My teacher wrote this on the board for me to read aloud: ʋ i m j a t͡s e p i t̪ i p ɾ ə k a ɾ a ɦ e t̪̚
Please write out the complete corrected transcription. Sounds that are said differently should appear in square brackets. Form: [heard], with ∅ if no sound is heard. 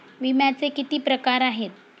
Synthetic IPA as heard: ʋ i m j a t͡s e [k] i t̪ [iː] p ɾ ə k a ɾ a ɦ e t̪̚